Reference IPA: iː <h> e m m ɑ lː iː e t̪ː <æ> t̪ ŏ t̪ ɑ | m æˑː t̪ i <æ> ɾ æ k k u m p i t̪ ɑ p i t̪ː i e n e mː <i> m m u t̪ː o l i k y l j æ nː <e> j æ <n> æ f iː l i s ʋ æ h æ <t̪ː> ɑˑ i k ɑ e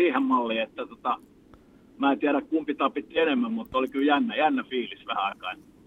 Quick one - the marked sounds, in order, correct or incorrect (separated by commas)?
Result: correct, correct, correct, incorrect, incorrect, incorrect, incorrect